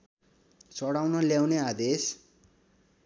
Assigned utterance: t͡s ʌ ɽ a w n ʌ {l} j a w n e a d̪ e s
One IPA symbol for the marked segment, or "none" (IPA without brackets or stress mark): l